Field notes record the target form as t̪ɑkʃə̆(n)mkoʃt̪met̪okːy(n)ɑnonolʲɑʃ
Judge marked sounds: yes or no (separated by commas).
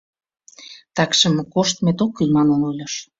no, no